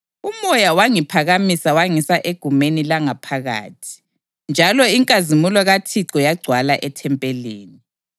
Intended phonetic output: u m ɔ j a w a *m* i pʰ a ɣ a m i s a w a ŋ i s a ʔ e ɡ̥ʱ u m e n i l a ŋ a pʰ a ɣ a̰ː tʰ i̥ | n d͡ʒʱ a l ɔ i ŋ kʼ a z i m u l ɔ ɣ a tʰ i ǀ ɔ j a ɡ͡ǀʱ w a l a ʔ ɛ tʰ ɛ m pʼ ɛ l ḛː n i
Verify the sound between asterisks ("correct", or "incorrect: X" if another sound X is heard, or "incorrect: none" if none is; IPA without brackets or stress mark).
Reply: incorrect: ŋ